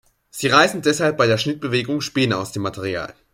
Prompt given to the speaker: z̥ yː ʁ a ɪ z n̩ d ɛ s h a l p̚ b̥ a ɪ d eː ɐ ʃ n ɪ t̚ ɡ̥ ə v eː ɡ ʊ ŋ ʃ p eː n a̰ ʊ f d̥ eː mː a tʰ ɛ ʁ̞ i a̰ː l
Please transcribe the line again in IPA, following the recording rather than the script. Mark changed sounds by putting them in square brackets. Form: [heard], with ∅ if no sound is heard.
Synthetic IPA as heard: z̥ [iː] ʁ a ɪ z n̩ d ɛ s h a l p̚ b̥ a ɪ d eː ɐ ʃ n ɪ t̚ [b̥] ə v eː ɡ ʊ ŋ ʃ p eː n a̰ ʊ [s] d̥ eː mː a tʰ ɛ ʁ̞ i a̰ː l